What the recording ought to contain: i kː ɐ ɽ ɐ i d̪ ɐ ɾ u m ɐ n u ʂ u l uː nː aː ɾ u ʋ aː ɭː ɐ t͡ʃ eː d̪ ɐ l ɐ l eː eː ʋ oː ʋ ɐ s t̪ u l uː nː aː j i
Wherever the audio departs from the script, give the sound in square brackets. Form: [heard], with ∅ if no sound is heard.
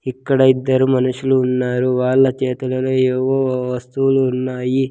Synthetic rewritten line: i kː ɐ ɽ ɐ i [d̪ː] ɐ ɾ u m ɐ n u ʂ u l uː nː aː ɾ u ʋ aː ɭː ɐ t͡ʃ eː [t̪] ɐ l ɐ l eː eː ʋ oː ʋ ɐ s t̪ u l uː nː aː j i

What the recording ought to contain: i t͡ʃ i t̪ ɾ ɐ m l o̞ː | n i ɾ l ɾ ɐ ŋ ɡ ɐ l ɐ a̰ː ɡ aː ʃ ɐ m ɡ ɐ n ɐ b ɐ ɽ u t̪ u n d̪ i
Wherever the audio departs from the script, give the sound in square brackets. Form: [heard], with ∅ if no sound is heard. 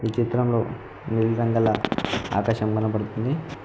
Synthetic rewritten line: i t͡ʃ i t̪ ɾ ɐ m l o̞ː | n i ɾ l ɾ ɐ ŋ ɡ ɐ l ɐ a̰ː [k] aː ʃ ɐ m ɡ ɐ n ɐ [p] ɐ ɽ u t̪ u n d̪ i

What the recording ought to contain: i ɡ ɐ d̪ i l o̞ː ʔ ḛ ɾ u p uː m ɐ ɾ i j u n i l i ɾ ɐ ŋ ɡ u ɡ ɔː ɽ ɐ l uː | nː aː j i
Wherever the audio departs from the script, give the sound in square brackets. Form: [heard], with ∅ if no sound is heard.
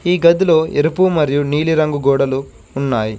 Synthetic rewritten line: [iː] ɡ ɐ d̪ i l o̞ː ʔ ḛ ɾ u p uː m ɐ ɾ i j u n [iː] l i ɾ ɐ ŋ ɡ u ɡ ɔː ɽ ɐ l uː | nː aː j i

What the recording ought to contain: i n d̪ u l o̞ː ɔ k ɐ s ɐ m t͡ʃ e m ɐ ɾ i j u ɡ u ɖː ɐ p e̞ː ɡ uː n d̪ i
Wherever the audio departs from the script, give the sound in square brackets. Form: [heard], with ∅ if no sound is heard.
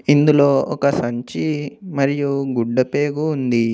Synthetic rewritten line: i n d̪ u l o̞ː ɔ k ɐ s ɐ [ɲ] t͡ʃ [i] m ɐ ɾ i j u ɡ u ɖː ɐ p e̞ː ɡ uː n d̪ i

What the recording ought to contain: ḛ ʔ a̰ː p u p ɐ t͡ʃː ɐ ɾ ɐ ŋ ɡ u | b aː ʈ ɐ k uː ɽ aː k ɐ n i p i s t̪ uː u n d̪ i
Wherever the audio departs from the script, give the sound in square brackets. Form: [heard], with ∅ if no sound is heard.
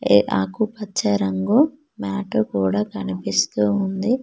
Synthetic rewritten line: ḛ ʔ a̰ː [k] u p ɐ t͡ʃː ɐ ɾ ɐ ŋ ɡ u | [m] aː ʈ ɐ k uː ɽ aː k ɐ n i p i s t̪ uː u n d̪ i

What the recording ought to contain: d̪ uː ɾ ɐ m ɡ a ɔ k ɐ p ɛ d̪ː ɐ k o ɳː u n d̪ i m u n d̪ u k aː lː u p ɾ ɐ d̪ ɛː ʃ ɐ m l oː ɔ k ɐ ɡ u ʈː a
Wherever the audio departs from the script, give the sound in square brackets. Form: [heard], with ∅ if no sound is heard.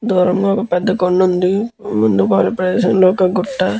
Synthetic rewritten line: d̪ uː ɾ ɐ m ɡ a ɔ k ɐ p ɛ d̪ː ɐ k o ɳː u n d̪ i m u n d̪ u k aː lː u p ɾ ɐ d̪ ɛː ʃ ɐ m l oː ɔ k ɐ ɡ u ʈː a

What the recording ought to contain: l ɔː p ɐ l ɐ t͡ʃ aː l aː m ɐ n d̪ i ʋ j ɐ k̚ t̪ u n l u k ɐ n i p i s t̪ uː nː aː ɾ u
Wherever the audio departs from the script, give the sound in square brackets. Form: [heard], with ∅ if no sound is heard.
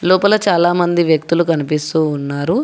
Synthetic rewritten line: l ɔː p ɐ l ɐ t͡ʃ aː l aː m ɐ n d̪ i ʋ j ɐ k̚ t̪ u [∅] l u k ɐ n i p i s t̪ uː nː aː ɾ u

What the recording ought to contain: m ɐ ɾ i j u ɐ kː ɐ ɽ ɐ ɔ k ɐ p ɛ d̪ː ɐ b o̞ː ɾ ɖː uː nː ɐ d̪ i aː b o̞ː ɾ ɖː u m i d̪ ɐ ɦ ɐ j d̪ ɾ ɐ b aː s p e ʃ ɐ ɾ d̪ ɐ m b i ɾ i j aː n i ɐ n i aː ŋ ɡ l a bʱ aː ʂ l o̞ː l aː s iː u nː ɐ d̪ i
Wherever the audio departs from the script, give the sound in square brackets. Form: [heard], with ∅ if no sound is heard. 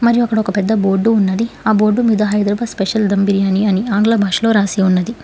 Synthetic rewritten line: m ɐ ɾ i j u ɐ kː ɐ ɽ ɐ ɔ k ɐ p ɛ d̪ː ɐ b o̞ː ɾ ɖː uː nː ɐ d̪ i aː b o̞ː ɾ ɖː u m i d̪ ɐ ɦ ɐ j d̪ ɾ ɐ b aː s p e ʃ ɐ [l] d̪ ɐ m b i ɾ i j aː n i ɐ n i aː ŋ ɡ l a bʱ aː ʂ l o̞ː [ɾ] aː s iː u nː ɐ d̪ i

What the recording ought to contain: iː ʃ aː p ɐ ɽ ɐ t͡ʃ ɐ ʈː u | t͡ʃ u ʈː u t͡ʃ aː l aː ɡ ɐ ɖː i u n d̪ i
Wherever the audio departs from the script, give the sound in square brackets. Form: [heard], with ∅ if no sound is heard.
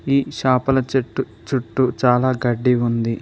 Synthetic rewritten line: iː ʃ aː p ɐ [l] ɐ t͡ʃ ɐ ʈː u | t͡ʃ u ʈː u t͡ʃ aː l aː ɡ ɐ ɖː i u n d̪ i

